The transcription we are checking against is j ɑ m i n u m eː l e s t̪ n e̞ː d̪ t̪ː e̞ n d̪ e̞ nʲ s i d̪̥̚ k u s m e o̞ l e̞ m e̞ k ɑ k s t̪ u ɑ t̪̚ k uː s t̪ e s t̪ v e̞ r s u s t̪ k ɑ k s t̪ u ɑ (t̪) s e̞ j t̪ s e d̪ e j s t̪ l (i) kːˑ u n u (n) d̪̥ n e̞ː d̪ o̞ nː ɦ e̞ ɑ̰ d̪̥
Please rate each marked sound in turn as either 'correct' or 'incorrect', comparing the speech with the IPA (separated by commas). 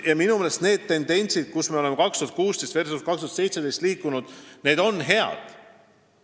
correct, incorrect, incorrect